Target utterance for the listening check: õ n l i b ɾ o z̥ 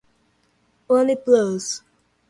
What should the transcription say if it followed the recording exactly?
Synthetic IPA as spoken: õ n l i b l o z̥